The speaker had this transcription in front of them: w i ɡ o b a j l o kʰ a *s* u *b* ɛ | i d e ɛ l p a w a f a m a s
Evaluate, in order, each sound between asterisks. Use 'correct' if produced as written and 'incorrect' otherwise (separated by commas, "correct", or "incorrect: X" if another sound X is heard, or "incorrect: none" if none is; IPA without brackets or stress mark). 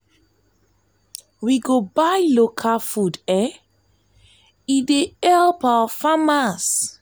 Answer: incorrect: f, incorrect: d